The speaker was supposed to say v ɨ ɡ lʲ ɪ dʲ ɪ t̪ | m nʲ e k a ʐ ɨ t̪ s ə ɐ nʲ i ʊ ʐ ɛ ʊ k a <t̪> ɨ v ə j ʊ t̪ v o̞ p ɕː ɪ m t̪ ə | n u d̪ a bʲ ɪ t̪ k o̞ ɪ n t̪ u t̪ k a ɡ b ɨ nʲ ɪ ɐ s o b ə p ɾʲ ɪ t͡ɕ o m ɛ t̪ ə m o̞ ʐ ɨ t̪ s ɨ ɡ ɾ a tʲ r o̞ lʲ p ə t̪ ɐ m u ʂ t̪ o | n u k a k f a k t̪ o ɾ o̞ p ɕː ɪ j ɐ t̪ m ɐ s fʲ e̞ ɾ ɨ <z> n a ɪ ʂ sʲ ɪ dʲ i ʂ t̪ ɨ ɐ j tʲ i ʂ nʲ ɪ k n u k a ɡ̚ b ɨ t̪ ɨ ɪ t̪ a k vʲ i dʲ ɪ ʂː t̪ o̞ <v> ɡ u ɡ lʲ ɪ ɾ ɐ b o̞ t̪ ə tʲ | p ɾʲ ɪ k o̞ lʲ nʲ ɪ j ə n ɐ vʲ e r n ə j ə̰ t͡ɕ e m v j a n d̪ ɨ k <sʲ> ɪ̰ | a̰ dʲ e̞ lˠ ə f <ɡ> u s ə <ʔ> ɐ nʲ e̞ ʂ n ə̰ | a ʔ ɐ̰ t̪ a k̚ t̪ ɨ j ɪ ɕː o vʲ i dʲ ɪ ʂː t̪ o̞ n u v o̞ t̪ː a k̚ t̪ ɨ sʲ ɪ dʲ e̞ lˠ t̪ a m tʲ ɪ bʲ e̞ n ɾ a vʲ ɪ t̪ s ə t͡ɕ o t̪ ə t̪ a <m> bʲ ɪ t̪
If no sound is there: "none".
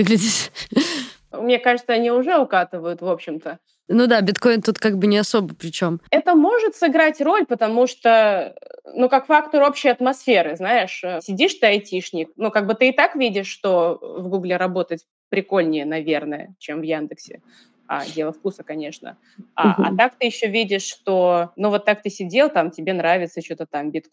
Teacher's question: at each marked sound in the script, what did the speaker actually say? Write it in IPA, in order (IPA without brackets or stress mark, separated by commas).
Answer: t̪, z, v, sʲ, k, k, m